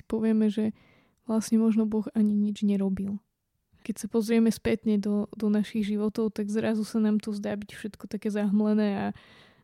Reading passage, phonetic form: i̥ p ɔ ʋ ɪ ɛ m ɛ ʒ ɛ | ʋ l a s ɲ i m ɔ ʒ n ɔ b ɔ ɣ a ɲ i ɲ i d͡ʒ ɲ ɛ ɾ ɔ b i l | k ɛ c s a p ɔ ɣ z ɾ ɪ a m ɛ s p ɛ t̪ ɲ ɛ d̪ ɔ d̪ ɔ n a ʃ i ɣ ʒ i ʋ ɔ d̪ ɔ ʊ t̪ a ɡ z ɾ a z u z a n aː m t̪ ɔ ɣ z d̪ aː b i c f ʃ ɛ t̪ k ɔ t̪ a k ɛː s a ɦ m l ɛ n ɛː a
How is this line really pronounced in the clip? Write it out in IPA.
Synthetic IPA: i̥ p ɔ ʋ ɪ ɛ m ɛ ʒ ɛ | ʋ l a s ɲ ɛ m ɔ ʒ n ɔ b ɔ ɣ a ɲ i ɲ i d͡ʒ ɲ ɛ ɾ ɔ b i l | k ɛ c s a p ɔ z ɾ ɪ ɛ m ɛ s p ɛ t̪ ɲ ɛ d̪ ɔ d̪ ɔ n a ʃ i ɣ ʒ i ʋ ɔ t̪ ɔ ʊ t̪ a ɡ z ɾ a z u s a n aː m t̪ ɔ z d̪ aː b i c f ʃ ɛ t̪ k ɔ t̪ a k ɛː z a ɦ m l ɛ n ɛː a